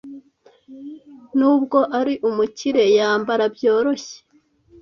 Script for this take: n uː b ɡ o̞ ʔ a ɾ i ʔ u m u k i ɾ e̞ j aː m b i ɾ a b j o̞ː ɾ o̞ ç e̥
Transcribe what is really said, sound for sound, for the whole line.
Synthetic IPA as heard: n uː b ɡ o̞ ʔ a ɾ i ʔ u m u c i ɾ e̞ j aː m b a ɾ a b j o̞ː ɾ o̞ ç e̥